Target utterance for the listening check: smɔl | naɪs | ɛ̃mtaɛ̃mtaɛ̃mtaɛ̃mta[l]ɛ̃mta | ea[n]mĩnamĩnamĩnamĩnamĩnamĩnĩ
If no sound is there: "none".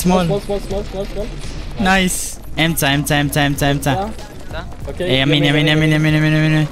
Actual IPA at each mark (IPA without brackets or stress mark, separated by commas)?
none, none